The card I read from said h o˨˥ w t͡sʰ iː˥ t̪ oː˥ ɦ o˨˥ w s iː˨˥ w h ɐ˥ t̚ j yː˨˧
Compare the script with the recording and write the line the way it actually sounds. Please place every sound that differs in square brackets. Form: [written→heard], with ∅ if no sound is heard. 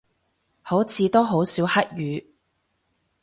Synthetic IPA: h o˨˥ w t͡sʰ [iː˥→iː˨˧] t̪ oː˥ ɦ o˨˥ w s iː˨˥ w h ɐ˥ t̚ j yː˨˧